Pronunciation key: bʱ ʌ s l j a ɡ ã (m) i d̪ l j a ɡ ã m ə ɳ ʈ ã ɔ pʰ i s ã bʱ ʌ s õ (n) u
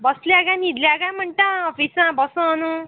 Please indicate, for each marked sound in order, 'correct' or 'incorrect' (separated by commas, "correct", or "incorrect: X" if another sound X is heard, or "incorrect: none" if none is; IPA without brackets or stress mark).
incorrect: n, correct